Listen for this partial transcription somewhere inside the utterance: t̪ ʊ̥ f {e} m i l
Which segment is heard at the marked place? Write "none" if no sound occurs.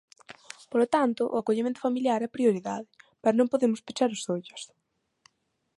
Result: a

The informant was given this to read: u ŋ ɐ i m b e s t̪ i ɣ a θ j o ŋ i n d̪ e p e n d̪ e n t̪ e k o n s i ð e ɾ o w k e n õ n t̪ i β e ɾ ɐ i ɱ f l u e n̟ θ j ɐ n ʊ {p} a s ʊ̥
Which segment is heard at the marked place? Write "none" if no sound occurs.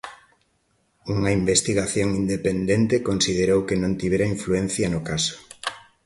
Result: k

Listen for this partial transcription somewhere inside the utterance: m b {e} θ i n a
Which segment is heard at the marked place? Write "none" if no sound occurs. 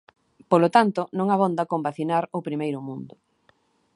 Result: a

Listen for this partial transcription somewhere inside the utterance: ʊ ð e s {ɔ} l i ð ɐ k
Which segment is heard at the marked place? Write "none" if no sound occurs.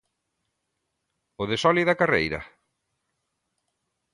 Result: ɔ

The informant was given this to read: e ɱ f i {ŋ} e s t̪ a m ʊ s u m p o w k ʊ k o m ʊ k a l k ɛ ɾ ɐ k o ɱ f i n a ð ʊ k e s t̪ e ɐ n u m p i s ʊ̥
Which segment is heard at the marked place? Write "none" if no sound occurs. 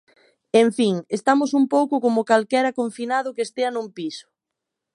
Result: ŋ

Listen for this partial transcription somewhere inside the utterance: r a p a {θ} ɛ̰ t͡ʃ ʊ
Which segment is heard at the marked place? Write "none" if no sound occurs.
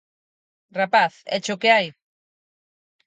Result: θ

